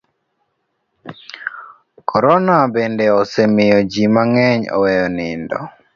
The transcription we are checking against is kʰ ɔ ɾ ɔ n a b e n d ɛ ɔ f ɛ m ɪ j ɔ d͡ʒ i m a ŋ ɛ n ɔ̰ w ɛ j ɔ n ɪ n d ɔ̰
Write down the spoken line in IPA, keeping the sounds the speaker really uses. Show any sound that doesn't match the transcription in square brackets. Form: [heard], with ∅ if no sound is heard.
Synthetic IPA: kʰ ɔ ɾ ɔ n a b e n d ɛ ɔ [s] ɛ m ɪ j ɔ d͡ʒ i m a ŋ ɛ [ɲ] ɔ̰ w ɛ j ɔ n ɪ n d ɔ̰